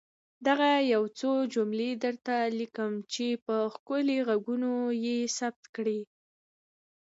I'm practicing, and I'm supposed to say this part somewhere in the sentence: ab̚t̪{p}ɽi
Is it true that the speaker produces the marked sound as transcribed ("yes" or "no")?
no